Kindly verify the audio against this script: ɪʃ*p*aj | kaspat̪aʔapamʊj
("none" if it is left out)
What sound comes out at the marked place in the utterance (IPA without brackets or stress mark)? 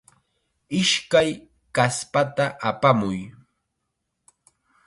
k